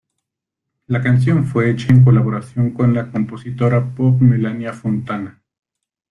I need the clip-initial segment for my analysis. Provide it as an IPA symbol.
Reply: l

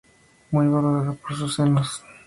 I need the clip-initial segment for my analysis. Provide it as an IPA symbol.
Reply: m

